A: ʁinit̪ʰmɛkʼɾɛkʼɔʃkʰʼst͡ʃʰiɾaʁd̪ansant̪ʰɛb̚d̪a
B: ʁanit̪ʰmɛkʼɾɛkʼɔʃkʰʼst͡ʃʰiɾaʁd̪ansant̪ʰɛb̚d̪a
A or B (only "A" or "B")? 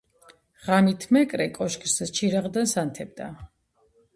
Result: B